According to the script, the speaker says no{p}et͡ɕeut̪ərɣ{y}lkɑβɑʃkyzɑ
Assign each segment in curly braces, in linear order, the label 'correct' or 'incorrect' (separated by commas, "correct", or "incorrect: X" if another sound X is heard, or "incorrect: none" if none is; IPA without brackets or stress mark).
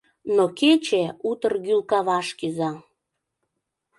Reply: incorrect: k, correct